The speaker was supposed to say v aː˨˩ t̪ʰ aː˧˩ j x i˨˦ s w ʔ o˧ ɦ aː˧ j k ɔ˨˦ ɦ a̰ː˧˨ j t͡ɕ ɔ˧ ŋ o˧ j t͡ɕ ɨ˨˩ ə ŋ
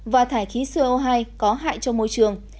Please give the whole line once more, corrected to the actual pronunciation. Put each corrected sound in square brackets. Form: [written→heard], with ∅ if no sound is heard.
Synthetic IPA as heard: v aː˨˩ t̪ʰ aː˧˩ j x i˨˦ s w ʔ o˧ ɦ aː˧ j k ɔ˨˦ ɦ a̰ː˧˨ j t͡ɕ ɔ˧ [ŋ→m] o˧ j t͡ɕ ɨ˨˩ ə ŋ